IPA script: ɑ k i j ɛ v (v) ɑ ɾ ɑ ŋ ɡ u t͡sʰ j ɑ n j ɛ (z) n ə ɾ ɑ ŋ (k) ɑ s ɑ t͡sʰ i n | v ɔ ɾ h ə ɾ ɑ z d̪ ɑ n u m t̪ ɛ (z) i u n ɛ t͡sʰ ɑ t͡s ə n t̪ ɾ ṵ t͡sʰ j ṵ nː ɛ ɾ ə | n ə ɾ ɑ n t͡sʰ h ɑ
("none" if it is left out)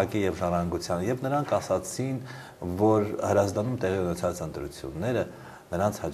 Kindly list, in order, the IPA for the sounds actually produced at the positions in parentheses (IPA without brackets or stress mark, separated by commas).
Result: ʒ, v, kʰ, ʁ